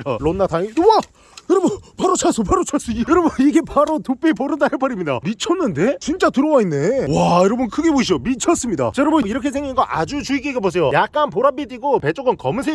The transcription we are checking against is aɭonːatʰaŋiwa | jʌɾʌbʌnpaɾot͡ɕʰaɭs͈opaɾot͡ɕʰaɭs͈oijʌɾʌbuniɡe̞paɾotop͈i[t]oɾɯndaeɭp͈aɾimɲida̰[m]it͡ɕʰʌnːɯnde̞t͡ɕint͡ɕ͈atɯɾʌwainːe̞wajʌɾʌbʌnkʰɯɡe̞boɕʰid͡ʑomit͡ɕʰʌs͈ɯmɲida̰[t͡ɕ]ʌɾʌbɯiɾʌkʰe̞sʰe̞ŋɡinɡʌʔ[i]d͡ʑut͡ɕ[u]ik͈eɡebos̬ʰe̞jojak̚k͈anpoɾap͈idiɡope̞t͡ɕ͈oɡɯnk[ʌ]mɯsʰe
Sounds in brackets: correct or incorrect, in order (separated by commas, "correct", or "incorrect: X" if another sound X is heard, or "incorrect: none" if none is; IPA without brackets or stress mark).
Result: incorrect: p, correct, correct, incorrect: a, correct, correct